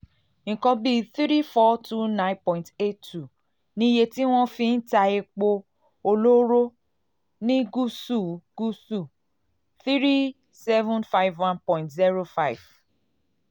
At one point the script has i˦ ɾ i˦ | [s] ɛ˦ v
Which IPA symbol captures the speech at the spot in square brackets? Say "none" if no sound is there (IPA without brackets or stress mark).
s